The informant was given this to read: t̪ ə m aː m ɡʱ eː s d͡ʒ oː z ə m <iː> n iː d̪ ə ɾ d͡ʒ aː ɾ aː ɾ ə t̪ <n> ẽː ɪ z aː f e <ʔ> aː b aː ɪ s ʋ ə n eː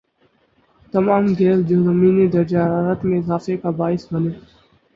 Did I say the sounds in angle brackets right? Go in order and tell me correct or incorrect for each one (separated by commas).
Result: correct, incorrect, incorrect